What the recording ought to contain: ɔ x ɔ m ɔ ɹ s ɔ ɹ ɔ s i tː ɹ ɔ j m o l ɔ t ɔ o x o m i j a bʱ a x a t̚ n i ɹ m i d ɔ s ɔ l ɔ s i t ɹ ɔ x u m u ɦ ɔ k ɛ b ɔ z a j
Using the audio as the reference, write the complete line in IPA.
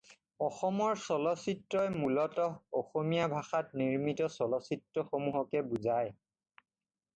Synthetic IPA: ɔ x ɔ m ɔ ɹ s ɔ l ɔ s i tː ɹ ɔ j m u l ɔ t ɔ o x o m i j a bʱ a x a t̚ n i ɹ m i t ɔ s ɔ l ɔ s i t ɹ ɔ x o m u ɦ ɔ k ɛ b u z a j